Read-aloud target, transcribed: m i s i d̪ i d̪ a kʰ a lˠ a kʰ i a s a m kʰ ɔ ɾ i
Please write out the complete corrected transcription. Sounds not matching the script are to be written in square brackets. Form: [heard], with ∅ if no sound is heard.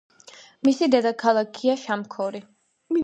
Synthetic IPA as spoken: m i s i d̪ [ɛ] d̪ a kʰ a lˠ a kʰ i a [ʃ] a m kʰ ɔ ɾ i